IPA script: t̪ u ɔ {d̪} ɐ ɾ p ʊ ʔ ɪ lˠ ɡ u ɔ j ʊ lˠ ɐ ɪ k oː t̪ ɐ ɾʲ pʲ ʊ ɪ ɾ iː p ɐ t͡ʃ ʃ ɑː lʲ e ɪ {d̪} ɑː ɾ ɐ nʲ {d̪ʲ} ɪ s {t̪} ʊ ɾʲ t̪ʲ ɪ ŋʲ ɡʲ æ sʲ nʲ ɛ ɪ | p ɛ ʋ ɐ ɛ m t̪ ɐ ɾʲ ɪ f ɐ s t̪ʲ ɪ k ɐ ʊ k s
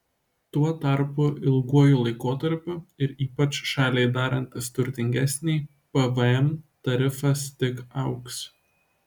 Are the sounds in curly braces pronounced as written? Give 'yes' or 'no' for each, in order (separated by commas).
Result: no, yes, no, yes